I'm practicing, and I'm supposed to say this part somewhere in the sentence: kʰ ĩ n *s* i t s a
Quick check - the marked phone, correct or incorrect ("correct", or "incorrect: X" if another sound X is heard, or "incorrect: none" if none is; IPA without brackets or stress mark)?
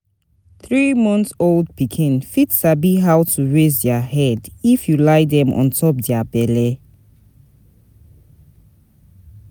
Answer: incorrect: f